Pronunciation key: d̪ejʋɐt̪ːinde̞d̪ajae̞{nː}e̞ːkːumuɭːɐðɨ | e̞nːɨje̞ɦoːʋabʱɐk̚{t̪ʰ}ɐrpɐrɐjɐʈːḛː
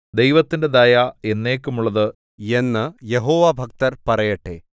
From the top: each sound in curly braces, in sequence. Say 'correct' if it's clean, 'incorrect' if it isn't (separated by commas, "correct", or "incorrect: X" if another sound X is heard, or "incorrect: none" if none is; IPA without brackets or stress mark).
correct, incorrect: t̪